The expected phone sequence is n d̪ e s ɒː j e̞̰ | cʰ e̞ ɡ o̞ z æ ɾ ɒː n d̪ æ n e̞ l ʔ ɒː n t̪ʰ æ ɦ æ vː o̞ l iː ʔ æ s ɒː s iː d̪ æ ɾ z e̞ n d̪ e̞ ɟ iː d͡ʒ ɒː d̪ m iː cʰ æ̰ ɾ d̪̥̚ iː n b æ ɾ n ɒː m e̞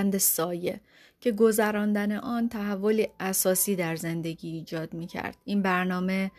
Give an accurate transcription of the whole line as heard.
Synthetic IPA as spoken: n d̪ e s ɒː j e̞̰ | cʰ e̞ ɡ o̞ z æ ɾ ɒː n d̪ æ n e̞ ʔ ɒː n t̪ʰ æ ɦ æ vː o̞ l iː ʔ æ s ɒː s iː d̪ æ ɾ z e̞ n d̪ e̞ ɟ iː d͡ʒ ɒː d̪ m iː cʰ æ̰ ɾ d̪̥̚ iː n b æ ɾ n ɒː m e̞